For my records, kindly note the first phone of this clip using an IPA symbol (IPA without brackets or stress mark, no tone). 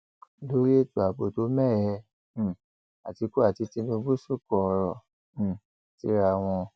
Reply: l